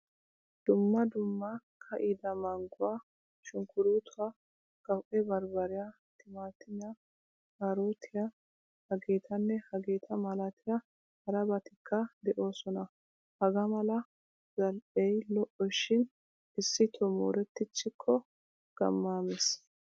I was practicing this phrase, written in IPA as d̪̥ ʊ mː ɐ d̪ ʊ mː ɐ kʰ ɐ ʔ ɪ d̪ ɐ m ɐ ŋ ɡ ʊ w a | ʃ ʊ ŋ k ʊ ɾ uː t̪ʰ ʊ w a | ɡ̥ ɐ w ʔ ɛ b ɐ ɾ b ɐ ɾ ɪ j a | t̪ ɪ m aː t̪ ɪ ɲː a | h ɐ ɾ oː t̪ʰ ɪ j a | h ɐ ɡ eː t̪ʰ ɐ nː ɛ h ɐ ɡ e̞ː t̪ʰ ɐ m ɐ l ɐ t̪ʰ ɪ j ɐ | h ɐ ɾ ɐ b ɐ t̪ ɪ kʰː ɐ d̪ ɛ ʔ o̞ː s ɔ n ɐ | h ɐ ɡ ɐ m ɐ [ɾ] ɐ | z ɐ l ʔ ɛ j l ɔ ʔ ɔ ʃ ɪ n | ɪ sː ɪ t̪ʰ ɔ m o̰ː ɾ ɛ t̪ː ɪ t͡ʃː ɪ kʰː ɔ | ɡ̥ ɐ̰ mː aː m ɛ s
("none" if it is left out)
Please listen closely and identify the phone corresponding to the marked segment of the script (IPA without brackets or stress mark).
l